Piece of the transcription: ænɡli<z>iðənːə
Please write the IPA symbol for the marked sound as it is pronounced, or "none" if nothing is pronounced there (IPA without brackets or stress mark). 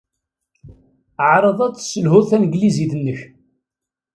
z